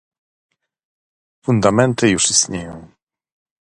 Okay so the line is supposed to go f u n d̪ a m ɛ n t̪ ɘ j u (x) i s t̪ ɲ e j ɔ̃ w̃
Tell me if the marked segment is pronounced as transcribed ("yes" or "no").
no